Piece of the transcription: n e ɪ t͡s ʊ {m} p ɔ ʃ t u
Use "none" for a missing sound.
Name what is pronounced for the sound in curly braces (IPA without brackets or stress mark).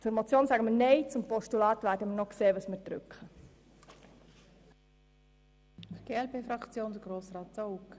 m